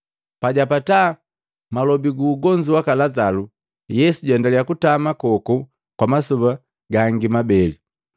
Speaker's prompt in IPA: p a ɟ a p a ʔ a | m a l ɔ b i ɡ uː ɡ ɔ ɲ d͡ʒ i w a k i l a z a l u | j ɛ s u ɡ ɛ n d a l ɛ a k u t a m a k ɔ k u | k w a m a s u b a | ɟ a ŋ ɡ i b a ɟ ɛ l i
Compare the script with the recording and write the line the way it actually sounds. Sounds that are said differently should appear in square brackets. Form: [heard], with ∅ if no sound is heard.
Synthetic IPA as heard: p a ɟ a p a [t] a | m a l ɔ b i ɡ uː ɡ ɔ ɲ d͡ʒ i w a k [a] l a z a l u | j ɛ s u [ɟ] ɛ n d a l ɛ a k u t a m a k ɔ k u | k w a m a s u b a | [ɡ] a ŋ ɡ i [m] a [b] ɛ l i